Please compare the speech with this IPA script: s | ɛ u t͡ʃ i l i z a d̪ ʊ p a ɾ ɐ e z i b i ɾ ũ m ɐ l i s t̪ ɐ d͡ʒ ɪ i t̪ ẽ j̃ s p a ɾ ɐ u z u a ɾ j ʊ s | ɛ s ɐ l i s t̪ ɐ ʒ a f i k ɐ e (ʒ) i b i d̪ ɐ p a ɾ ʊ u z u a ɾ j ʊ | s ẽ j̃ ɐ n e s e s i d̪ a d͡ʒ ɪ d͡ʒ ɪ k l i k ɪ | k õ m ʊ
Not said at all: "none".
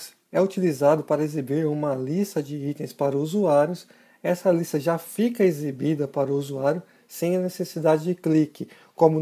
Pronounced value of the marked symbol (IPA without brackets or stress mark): z